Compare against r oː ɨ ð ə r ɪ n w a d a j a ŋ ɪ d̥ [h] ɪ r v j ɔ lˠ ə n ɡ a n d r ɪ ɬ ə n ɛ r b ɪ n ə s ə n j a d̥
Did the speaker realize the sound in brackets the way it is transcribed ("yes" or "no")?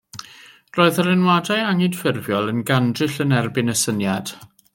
no